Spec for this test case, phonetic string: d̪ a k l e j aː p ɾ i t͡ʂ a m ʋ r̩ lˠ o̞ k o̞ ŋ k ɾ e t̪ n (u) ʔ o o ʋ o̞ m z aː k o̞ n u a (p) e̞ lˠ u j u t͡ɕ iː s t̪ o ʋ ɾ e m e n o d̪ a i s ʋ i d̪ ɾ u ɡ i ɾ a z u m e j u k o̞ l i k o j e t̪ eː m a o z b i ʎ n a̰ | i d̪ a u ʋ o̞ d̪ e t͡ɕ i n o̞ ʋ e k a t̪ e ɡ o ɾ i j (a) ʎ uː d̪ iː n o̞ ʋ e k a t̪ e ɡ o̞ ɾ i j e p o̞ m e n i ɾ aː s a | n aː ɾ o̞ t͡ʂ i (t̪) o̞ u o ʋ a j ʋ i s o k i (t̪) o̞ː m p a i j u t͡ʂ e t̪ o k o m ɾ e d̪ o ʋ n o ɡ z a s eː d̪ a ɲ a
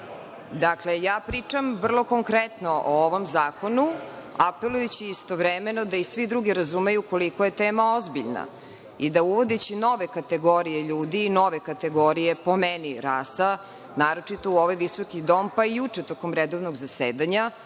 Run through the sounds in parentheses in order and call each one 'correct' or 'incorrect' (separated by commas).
incorrect, correct, incorrect, correct, incorrect